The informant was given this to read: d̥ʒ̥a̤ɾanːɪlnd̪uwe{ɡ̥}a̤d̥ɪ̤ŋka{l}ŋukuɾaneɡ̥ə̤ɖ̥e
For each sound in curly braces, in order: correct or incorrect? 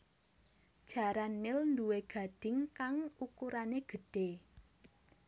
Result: correct, incorrect: none

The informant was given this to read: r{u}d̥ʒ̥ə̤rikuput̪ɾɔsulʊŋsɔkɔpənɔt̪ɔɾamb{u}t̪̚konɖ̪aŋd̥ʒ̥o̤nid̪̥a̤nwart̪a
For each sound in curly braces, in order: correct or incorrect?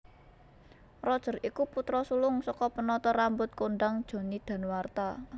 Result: incorrect: ɔ, incorrect: ʊ

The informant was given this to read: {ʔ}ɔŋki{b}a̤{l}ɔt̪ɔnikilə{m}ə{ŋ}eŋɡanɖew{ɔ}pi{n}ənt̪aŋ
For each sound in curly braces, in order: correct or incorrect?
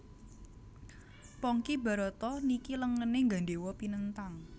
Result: incorrect: p, correct, incorrect: ɾ, incorrect: ŋ, incorrect: n, correct, correct

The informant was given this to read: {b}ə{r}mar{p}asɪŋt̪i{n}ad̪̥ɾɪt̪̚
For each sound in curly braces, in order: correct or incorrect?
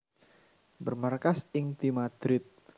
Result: correct, correct, incorrect: k, incorrect: m

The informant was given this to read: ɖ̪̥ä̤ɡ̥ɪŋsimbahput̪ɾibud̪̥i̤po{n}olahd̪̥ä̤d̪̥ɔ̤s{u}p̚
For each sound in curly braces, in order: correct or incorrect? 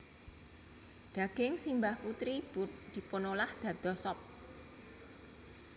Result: correct, incorrect: ɔ

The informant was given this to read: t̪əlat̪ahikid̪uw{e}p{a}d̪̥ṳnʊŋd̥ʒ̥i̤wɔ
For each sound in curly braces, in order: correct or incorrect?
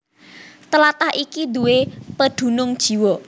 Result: correct, incorrect: ə

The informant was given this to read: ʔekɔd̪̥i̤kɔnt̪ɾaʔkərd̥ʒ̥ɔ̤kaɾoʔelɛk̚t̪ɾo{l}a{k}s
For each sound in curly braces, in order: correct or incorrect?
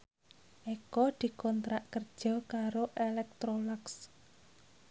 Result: correct, correct

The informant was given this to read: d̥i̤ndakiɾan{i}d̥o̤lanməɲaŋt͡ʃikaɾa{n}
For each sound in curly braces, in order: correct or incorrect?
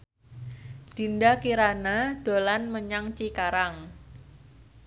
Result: incorrect: a, incorrect: ŋ

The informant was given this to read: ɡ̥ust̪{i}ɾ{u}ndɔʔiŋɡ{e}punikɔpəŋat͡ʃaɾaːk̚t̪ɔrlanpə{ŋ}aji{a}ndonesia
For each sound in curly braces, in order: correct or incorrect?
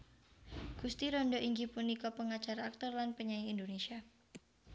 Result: correct, incorrect: ɔ, incorrect: i, incorrect: ɲ, incorrect: i

